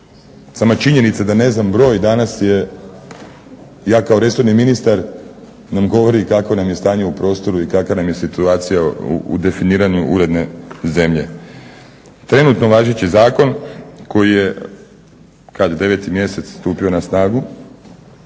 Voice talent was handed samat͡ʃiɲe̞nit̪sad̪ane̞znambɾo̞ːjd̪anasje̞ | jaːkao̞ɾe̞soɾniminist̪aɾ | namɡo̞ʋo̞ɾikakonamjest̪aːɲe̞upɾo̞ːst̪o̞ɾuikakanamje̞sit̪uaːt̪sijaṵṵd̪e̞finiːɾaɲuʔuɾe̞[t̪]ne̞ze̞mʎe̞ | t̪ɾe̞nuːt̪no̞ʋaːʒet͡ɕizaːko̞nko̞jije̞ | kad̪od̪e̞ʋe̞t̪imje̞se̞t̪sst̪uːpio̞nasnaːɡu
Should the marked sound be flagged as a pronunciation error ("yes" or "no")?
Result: yes